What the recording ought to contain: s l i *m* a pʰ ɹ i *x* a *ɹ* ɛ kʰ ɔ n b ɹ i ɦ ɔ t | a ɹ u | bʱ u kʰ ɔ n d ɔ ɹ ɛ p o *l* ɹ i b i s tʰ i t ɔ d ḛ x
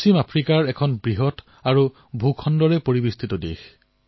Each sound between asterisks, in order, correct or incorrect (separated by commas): correct, incorrect, correct, incorrect